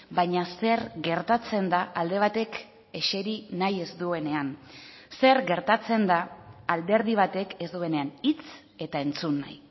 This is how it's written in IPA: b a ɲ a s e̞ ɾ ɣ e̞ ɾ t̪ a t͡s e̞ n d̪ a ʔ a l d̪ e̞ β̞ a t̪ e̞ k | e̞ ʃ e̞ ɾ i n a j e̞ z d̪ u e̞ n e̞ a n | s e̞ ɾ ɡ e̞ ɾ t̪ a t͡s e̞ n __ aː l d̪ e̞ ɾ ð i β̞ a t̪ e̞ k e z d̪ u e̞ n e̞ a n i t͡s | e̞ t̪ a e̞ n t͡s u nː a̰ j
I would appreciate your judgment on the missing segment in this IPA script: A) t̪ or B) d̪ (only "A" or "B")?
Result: B